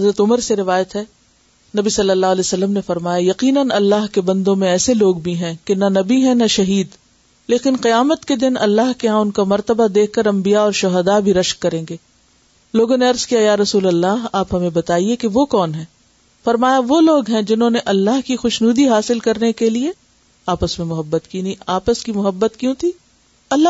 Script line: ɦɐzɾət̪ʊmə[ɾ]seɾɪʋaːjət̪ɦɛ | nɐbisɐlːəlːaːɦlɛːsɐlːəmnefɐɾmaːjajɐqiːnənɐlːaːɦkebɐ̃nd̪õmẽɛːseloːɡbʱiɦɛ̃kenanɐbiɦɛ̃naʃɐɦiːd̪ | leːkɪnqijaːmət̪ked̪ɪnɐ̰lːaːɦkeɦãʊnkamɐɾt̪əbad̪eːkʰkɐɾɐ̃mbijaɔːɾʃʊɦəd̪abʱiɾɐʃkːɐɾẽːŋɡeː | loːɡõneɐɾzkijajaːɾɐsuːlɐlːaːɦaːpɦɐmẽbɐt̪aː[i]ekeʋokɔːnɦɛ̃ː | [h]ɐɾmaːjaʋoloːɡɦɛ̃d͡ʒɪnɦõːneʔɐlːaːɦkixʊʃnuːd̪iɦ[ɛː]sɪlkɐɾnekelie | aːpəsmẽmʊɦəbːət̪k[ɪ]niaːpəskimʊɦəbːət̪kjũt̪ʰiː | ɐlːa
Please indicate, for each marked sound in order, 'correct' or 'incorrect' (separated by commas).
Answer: correct, correct, incorrect, incorrect, incorrect